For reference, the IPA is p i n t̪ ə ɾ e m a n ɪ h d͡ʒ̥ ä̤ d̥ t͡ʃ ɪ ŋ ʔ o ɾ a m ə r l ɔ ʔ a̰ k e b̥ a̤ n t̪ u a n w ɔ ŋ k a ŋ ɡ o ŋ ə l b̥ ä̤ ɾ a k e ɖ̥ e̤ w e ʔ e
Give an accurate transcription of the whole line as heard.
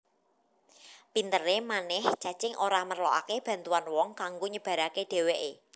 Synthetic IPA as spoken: p i n t̪ ə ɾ e m a n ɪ h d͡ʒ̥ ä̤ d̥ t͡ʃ ɪ ŋ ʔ o ɾ a m ə r l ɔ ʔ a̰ k e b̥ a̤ n t̪ u a n w ɔ ŋ k a ŋ ɡ o ɲ ə b̥ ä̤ ɾ a k e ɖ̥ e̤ w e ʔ e